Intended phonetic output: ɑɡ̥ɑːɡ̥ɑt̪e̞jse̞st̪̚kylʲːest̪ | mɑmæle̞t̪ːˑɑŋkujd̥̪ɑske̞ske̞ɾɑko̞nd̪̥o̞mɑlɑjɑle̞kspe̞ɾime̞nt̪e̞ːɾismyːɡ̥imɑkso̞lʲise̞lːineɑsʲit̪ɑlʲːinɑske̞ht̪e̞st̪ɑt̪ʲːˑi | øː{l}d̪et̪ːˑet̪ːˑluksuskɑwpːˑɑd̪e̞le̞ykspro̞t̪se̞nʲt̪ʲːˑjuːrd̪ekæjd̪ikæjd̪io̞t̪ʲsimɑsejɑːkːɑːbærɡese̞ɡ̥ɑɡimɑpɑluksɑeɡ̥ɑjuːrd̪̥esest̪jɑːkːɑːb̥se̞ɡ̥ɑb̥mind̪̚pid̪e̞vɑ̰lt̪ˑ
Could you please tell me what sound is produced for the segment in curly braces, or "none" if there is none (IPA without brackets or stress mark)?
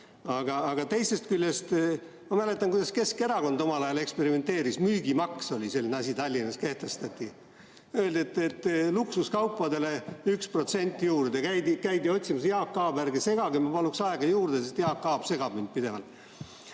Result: l